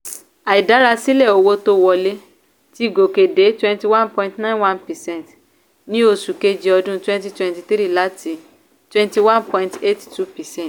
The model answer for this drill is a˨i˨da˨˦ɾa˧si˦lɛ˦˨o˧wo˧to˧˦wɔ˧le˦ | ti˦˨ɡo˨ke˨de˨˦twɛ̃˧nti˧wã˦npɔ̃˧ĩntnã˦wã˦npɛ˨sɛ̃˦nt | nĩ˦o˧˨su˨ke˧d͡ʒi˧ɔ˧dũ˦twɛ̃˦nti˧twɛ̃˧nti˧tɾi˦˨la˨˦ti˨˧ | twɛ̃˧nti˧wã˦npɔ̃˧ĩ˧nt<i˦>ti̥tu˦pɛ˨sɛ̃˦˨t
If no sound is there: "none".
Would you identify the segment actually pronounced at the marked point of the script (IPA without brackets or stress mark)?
e˦